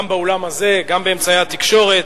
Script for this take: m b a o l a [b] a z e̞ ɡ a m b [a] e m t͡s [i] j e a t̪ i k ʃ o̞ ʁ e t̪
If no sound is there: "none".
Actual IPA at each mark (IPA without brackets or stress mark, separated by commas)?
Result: m, e, a